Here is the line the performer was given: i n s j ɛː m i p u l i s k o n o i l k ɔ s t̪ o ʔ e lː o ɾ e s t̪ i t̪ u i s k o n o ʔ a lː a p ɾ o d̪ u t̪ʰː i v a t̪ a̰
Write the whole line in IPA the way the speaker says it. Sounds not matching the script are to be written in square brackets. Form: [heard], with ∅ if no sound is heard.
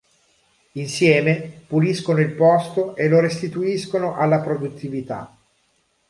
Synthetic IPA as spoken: i n s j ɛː m [e] p u l i s k o n o i l [p] ɔ s t̪ o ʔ e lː o ɾ e s t̪ i t̪ u i s k o n o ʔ a lː a p ɾ o d̪ u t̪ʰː i v [i] t̪ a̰